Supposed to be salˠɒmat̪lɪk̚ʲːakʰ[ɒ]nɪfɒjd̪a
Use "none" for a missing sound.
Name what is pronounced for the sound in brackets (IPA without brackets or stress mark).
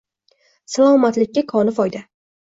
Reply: ɒ